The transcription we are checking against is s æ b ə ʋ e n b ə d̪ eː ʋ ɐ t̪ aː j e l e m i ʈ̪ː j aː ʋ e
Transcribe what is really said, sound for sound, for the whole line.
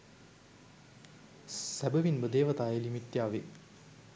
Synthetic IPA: s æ b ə ʋ i n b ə d̪ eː ʋ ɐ t̪ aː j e l i m i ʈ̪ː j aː ʋ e